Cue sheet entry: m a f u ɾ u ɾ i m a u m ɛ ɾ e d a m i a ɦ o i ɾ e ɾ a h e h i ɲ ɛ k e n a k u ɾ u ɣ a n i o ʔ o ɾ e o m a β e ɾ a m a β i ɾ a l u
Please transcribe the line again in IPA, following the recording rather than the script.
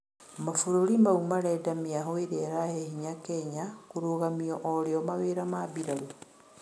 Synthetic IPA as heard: m a f u ɾ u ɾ i m a u m a ɾ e d a m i a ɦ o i ɾ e ɾ a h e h i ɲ a k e ɲ a k u ɾ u ɣ a m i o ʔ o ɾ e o m a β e ɾ a m a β i ɾ a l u